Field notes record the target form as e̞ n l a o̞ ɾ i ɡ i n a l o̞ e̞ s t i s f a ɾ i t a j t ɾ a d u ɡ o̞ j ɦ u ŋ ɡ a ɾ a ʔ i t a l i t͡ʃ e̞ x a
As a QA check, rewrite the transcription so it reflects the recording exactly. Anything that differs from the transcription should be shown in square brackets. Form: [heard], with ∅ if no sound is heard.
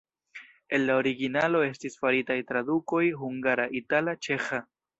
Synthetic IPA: e̞ n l a o̞ ɾ i ɡ i n a l o̞ e̞ s t i s f a ɾ i t a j t ɾ a d u [k] o̞ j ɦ u ŋ ɡ a ɾ a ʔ i t a l [a] t͡ʃ e̞ x a